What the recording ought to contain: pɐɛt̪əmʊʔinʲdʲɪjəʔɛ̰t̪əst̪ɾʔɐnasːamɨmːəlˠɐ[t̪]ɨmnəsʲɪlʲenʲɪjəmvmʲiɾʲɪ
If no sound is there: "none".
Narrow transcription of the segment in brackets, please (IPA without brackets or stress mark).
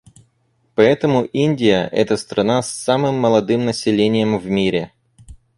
d̪